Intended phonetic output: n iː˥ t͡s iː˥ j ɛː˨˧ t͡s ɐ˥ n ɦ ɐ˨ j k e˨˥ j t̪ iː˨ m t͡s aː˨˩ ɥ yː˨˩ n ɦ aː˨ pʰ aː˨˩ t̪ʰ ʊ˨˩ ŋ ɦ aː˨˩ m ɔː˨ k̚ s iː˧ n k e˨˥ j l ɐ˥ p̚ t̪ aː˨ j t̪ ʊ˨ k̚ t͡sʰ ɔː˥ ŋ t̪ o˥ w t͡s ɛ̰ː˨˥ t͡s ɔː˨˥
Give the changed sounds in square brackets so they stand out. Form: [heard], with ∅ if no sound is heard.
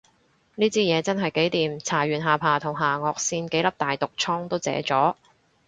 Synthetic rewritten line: n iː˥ t͡s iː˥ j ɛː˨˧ t͡s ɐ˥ n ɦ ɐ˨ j k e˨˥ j t̪ iː˨ m [t͡sʰ] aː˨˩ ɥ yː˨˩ n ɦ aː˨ pʰ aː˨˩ t̪ʰ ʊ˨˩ ŋ ɦ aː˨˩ [ŋ] ɔː˨ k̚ s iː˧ n k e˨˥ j l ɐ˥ p̚ t̪ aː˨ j t̪ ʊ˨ k̚ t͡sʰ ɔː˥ ŋ t̪ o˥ w t͡s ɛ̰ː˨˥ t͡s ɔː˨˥